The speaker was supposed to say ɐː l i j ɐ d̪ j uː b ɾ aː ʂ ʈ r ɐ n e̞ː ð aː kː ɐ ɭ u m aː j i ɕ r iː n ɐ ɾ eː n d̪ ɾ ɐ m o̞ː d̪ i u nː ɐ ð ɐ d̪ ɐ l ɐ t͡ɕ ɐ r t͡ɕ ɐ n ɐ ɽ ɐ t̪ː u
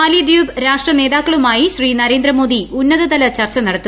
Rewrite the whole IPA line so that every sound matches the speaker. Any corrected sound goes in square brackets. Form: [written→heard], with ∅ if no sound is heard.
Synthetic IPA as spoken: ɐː l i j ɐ d̪ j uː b ɾ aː ʂ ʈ r ɐ n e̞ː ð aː kː ɐ ɭ u m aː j i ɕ r iː n ɐ ɾ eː n d̪ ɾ ɐ m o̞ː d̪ i u nː ɐ ð ɐ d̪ ɐ l ɐ t͡ɕ ɐ r t͡ɕ ɐ n ɐ ɽ ɐ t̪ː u